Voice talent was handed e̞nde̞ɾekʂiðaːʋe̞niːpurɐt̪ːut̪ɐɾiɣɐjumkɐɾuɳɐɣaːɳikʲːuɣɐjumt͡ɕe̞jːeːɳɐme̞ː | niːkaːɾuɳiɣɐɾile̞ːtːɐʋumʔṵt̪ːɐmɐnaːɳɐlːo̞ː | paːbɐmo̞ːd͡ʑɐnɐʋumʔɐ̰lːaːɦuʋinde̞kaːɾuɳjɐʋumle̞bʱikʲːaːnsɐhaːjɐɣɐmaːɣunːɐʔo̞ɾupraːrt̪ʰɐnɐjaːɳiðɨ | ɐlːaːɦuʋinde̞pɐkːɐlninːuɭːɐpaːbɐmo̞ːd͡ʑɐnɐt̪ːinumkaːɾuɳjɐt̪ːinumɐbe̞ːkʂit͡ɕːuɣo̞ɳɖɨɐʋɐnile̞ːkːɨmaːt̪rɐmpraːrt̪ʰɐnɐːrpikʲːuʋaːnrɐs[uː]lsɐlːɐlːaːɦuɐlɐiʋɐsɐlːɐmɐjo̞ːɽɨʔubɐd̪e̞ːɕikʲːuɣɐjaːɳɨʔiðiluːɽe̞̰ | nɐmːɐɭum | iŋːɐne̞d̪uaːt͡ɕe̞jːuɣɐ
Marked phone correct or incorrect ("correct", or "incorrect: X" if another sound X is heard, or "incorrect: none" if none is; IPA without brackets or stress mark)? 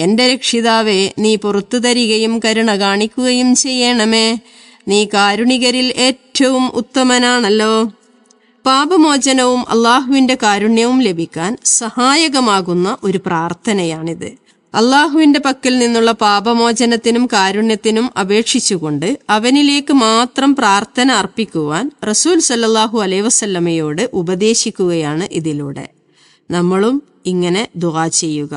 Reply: correct